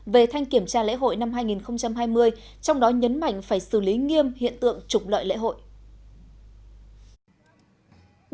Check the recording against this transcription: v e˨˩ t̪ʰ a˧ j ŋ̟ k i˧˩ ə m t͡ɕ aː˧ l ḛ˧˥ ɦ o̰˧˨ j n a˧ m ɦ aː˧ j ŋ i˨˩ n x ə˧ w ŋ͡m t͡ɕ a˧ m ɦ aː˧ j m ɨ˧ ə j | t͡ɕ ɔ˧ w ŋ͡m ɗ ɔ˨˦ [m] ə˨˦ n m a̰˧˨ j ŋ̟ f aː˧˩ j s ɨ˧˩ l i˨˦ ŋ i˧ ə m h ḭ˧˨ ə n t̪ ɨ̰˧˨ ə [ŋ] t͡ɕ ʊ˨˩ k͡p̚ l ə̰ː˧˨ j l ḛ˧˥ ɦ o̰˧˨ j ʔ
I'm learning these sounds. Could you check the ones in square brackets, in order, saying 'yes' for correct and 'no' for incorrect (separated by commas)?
no, yes